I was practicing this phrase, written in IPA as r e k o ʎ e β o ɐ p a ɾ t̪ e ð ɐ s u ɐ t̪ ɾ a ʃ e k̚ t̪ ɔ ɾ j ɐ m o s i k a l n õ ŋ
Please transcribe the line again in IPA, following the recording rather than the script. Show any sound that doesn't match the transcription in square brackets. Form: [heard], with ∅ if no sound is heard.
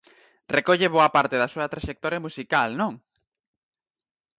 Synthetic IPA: r e k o ʎ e β o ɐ p a ɾ t̪ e ð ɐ s u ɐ t̪ ɾ a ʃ e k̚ t̪ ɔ ɾ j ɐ m [u] s i k a l n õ ŋ